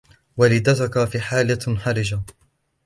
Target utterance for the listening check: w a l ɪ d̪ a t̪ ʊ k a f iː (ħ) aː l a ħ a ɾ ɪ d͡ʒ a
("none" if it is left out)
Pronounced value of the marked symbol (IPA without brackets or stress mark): ħ